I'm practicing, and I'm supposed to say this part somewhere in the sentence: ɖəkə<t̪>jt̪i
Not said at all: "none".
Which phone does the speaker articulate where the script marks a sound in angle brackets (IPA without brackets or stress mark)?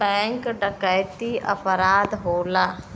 none